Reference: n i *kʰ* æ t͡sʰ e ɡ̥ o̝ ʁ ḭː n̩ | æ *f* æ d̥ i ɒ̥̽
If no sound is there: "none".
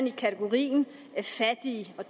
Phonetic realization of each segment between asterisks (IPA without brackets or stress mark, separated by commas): kʰ, f